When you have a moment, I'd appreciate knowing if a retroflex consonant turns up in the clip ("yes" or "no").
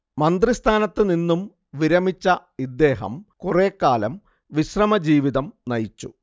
no